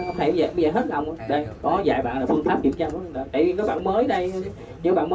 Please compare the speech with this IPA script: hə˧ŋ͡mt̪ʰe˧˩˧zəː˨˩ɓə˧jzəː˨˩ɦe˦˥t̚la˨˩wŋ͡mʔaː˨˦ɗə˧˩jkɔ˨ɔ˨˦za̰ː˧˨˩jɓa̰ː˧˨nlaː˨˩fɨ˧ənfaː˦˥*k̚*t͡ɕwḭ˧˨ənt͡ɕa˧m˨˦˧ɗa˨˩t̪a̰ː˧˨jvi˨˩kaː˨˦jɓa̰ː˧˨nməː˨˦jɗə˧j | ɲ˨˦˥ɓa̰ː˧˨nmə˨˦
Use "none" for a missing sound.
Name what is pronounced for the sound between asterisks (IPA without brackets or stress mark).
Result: p̚